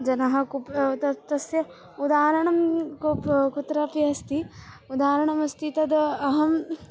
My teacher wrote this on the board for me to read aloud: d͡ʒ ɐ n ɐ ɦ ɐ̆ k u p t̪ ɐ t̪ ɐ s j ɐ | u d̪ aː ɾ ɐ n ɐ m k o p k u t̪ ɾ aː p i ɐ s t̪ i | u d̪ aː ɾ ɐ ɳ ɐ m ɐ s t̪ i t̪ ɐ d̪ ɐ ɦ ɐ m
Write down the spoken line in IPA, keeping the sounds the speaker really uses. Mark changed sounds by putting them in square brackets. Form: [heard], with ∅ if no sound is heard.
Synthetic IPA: d͡ʒ ɐ n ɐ ɦ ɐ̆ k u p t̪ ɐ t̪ ɐ s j ɐ | u d̪ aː ɾ ɐ [ɳ] ɐ m k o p k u t̪ ɾ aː p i ɐ s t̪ i | u d̪ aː ɾ ɐ ɳ ɐ m ɐ s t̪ i t̪ ɐ d̪ ɐ ɦ ɐ m